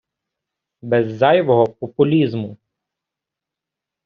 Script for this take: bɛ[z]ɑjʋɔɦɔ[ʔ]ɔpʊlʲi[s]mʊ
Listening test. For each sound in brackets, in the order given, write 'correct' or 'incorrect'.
incorrect: zː, incorrect: p, incorrect: z

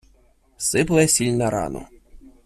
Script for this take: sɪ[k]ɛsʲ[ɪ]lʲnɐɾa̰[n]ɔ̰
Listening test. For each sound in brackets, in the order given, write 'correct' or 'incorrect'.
incorrect: p, incorrect: i, correct

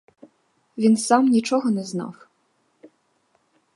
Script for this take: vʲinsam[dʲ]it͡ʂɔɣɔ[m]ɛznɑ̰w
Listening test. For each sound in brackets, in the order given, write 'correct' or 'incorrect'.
incorrect: nʲ, incorrect: n

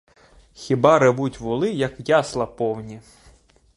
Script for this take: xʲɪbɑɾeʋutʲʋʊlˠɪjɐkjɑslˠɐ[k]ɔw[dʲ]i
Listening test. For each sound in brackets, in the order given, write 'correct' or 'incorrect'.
incorrect: p, incorrect: nʲ

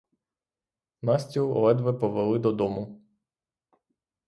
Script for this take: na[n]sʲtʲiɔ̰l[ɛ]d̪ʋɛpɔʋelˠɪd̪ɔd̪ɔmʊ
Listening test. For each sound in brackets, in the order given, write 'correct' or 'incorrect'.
incorrect: none, correct

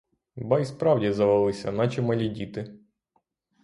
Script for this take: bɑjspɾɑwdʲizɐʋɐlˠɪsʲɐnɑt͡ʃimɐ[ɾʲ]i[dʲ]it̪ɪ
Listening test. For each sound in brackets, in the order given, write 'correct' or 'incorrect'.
incorrect: lʲ, correct

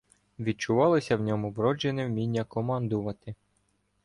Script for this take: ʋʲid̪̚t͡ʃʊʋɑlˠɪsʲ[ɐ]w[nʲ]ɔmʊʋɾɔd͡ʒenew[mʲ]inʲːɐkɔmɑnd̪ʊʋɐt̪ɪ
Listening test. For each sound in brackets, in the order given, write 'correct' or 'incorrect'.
correct, correct, correct

